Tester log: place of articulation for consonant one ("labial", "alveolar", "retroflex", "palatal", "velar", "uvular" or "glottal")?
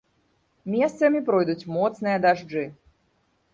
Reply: labial